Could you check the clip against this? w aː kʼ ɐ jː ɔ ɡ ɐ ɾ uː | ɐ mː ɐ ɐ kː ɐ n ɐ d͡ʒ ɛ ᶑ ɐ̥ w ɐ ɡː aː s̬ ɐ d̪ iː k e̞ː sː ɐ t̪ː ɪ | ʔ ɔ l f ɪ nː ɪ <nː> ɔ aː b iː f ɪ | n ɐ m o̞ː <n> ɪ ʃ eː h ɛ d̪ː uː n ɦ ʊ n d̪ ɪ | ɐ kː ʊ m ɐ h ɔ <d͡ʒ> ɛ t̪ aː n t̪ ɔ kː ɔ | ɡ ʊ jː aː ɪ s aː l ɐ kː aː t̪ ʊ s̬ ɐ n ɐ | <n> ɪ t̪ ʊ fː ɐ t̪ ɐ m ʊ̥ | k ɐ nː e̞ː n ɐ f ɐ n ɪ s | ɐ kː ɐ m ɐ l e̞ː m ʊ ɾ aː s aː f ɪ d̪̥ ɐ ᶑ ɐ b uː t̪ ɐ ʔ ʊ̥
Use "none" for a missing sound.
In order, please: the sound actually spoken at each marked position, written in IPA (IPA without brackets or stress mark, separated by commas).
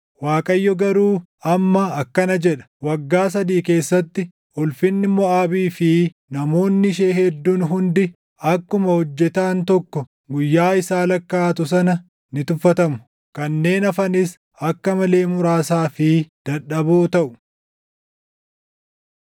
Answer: mː, nː, d͡ʒː, n